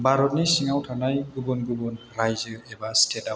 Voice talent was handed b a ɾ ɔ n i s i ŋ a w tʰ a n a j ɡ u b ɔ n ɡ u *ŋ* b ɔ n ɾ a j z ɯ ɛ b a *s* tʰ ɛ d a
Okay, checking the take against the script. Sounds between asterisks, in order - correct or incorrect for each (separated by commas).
incorrect, correct